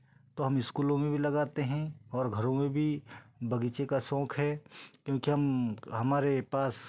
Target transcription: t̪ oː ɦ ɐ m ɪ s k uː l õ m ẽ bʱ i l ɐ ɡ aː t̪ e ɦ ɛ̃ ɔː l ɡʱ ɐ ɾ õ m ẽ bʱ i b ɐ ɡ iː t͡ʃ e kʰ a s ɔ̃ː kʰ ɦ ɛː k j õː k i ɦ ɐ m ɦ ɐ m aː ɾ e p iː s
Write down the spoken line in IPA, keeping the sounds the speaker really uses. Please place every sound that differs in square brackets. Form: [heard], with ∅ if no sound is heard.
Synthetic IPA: t̪ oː ɦ ɐ m ɪ s k uː l õ m ẽ bʱ i l ɐ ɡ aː t̪ e ɦ ɛ̃ ɔː [ɾ] ɡʱ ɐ ɾ õ m ẽ bʱ i b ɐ ɡ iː t͡ʃ e [k] a s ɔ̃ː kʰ ɦ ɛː k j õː k i ɦ ɐ m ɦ ɐ m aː ɾ e p [aː] s